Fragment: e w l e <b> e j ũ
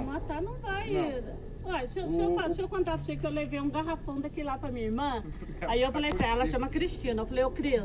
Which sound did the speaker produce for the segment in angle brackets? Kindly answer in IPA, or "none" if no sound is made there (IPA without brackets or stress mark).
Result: v